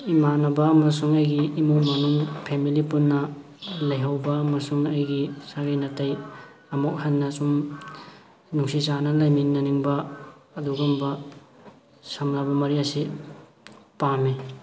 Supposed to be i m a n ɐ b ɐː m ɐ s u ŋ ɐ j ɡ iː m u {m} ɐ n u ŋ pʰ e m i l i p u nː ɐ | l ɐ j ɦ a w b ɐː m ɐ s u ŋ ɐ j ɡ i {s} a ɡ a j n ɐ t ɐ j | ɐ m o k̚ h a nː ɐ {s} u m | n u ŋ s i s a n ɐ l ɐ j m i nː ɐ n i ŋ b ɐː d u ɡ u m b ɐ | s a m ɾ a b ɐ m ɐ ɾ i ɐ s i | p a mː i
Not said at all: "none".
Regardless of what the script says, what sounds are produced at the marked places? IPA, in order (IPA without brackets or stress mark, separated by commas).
m, s, s